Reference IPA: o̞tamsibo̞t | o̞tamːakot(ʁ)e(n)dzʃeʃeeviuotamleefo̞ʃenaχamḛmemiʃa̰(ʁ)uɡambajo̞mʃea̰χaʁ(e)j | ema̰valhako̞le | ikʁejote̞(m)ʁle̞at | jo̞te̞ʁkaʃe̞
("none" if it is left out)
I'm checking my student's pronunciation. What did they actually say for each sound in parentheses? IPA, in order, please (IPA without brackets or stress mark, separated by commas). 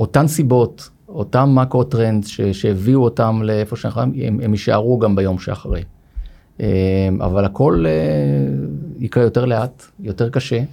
ʁ, n, ʁ, e, none